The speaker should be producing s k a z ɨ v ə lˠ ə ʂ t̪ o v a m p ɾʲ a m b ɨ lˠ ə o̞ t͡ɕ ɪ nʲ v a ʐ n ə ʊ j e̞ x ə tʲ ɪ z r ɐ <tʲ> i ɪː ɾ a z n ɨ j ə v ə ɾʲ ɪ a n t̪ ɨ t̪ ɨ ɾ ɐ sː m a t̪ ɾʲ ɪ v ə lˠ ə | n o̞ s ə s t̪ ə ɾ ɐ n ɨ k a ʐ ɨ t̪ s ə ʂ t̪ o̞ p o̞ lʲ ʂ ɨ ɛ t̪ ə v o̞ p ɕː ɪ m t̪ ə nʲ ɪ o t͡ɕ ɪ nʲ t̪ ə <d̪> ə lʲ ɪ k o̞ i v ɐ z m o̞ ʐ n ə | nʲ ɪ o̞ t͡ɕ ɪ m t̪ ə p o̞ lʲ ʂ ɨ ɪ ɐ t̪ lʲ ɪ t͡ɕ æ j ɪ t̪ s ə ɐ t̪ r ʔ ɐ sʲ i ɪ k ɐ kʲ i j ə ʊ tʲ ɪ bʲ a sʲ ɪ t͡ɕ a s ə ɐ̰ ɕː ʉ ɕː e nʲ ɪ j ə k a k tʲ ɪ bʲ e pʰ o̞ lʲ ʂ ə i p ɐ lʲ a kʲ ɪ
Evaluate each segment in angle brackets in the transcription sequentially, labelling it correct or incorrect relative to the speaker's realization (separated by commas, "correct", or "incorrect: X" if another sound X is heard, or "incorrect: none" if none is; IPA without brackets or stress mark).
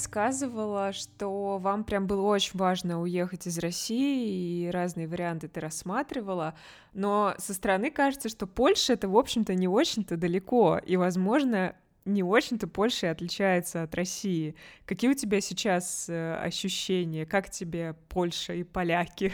incorrect: sʲ, correct